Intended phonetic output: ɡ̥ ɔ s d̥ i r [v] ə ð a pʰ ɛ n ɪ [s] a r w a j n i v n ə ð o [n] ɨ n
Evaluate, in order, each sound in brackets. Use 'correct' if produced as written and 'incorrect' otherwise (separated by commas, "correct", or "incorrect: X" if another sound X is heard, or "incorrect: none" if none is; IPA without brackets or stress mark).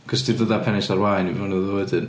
incorrect: ð, correct, incorrect: d